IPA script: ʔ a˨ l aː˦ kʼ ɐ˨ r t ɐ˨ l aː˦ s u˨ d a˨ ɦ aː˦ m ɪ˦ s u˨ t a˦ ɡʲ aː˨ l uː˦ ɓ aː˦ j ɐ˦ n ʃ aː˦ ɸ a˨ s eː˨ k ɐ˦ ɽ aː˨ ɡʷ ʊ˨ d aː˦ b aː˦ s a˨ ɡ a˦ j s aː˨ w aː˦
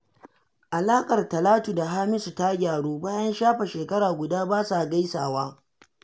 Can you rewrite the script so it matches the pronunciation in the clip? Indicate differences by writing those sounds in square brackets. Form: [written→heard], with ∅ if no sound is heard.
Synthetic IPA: ʔ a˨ l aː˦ kʼ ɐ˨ r t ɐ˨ l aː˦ [s→t] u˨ d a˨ ɦ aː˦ m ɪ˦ s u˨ t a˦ ɡʲ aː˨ [l→ɽ] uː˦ [ɓ→b] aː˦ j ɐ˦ n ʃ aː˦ ɸ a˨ [s→ʃ] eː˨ k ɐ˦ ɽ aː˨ ɡʷ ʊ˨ d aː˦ b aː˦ s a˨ ɡ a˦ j s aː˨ w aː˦